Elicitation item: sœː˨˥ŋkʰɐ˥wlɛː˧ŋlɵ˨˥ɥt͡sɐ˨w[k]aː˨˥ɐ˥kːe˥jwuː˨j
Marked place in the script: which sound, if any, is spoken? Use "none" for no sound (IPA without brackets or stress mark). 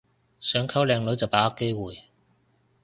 p